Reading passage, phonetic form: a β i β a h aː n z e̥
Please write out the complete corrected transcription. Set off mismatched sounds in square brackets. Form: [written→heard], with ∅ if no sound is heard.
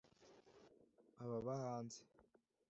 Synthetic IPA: a β [i→a] β a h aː n z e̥